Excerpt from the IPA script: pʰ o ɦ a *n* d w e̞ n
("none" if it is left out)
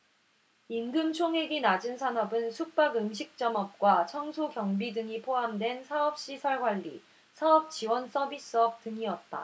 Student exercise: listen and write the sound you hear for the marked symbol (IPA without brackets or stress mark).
m